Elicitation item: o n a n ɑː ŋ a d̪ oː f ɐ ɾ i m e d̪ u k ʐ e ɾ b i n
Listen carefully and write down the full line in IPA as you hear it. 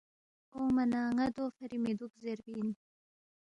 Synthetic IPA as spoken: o m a n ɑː ŋ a d̪ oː f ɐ ɾ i m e d̪ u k z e ɾ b i n